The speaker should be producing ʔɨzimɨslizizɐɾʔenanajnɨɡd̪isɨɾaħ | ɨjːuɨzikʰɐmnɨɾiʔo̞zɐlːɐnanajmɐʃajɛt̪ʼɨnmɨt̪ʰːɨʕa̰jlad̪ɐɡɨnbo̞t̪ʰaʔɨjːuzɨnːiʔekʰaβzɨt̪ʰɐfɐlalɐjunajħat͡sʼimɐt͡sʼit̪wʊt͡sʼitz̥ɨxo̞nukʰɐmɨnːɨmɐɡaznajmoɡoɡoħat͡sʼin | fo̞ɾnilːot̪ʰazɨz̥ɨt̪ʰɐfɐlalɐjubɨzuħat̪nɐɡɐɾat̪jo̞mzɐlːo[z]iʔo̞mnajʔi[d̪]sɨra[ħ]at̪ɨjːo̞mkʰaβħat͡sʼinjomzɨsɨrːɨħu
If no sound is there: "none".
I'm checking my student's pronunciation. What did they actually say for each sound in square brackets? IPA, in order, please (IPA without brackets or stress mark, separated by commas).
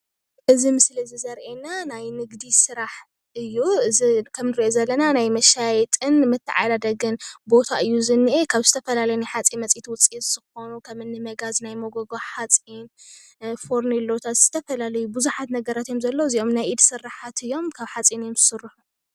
z, d̪, ħ